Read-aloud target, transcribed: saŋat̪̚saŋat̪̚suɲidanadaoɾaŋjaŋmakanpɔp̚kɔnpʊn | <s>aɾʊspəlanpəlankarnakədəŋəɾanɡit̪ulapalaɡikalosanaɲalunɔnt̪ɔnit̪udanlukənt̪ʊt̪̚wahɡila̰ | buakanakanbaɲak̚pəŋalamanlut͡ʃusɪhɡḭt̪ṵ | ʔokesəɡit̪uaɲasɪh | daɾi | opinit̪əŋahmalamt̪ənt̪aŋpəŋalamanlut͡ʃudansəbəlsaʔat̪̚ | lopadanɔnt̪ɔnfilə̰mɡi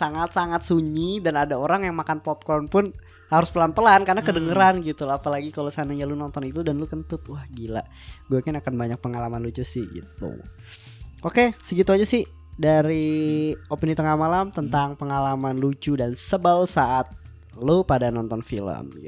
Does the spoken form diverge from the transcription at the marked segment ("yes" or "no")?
yes